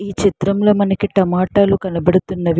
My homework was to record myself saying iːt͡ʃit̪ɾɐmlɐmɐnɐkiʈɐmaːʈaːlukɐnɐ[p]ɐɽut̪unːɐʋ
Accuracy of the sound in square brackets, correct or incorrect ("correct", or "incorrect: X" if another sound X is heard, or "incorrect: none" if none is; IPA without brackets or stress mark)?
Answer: incorrect: b